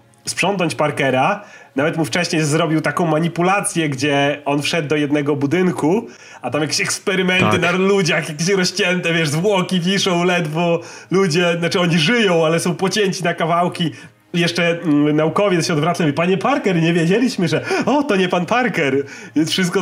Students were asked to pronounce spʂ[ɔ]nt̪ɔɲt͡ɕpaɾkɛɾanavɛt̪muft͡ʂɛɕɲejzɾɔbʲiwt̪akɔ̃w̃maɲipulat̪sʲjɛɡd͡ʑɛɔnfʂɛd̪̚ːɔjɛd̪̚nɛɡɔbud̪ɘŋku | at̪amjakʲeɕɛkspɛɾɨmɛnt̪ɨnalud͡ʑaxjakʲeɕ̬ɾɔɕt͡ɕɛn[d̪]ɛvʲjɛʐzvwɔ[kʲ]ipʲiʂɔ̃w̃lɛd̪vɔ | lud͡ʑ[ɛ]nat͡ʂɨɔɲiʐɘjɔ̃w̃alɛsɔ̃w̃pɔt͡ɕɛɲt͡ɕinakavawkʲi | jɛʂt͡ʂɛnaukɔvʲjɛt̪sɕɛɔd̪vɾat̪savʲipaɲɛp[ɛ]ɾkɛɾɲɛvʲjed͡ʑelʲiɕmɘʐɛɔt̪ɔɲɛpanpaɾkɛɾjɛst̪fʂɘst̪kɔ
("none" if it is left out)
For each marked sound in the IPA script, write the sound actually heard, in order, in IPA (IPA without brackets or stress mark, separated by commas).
ɔ, t̪, kʲ, ɛ, a